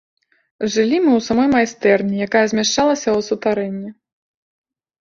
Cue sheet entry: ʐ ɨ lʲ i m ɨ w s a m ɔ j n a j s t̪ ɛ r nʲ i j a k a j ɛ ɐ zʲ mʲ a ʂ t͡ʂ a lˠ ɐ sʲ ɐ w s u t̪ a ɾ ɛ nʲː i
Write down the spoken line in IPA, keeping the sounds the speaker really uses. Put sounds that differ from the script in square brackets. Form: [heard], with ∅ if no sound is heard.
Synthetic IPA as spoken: ʐ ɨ lʲ i m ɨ w s a m ɔ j [m] a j s t̪ ɛ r nʲ i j a k a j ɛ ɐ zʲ mʲ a ʂ t͡ʂ a lˠ ɐ sʲ ɐ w s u t̪ a ɾ ɛ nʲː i